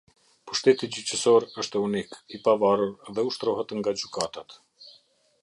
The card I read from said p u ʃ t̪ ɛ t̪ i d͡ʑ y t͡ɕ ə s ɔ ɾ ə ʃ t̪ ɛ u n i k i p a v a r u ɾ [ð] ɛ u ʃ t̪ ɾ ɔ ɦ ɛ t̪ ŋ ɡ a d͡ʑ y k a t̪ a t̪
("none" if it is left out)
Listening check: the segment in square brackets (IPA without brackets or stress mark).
ð